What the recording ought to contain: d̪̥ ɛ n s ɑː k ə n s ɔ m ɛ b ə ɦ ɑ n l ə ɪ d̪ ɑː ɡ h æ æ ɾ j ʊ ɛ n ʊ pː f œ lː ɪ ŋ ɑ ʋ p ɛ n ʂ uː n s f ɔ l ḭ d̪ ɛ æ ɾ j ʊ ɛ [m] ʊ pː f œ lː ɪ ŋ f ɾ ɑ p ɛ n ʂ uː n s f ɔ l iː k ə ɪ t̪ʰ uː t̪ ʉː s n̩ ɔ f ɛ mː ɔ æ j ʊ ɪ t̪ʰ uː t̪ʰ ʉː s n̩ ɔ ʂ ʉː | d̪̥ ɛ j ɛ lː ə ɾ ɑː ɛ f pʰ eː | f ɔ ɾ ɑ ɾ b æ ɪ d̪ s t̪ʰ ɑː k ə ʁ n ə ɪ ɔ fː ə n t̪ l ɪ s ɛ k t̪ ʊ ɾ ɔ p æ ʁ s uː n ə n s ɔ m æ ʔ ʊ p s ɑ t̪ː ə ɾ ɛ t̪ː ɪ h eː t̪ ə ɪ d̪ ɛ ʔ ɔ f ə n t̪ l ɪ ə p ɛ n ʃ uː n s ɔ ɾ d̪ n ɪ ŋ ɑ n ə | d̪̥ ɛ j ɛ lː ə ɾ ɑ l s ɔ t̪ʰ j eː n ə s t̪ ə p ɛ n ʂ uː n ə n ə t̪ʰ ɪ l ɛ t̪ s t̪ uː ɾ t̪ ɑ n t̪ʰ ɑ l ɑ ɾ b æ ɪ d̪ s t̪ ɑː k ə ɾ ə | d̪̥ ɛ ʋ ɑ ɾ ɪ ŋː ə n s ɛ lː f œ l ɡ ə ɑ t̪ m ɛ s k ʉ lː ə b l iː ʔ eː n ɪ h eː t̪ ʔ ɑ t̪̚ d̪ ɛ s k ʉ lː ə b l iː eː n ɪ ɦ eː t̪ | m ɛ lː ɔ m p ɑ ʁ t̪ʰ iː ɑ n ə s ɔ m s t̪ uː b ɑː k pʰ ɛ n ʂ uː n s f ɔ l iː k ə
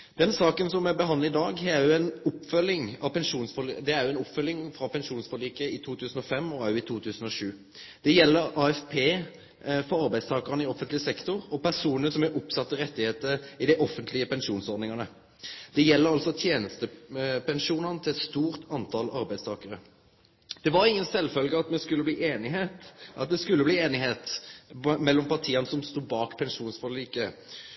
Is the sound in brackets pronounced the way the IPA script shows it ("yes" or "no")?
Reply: no